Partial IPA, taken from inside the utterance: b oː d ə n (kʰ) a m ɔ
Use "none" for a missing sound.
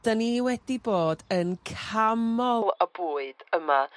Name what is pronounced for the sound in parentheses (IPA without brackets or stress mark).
kʰ